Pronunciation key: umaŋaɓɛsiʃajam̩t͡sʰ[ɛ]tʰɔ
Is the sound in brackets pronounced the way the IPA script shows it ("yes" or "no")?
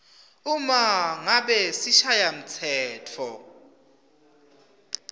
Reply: no